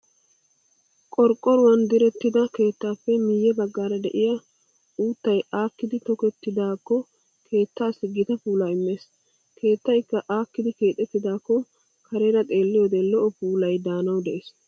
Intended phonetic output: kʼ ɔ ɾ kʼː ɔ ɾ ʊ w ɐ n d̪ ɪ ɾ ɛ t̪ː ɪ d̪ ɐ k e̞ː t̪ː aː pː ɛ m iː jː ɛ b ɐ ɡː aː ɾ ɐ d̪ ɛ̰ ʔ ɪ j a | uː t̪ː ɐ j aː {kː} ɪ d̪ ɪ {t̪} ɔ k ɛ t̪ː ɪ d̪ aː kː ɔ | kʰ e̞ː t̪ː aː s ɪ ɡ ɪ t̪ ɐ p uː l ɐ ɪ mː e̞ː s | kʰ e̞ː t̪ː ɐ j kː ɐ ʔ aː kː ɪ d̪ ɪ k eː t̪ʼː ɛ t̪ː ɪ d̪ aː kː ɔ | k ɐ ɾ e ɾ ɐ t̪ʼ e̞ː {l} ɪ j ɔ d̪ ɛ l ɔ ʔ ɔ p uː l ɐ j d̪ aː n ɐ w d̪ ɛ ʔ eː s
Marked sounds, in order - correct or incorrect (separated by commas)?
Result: correct, correct, incorrect